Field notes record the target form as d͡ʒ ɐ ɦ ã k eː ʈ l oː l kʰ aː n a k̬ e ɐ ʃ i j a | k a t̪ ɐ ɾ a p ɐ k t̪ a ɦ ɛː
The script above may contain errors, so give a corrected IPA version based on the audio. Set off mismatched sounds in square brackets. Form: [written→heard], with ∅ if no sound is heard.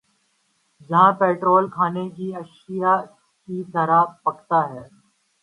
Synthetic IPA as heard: d͡ʒ ɐ ɦ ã [k→p] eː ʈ [l→ɾ] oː l kʰ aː n [a→e] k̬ [e→i] ɐ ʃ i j a | k [a→i] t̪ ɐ ɾ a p ɐ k t̪ a ɦ ɛː